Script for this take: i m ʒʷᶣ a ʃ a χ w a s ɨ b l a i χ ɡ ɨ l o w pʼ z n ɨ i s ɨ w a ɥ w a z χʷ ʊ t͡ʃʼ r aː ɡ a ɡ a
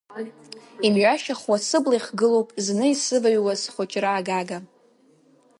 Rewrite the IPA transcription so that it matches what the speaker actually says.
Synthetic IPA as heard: i m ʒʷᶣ a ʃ a χ w a s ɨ b l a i χ ɡ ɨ l o w pʼ z n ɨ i s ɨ v a ɥ w a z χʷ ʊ t͡ʃʼ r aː ɡ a ɡ a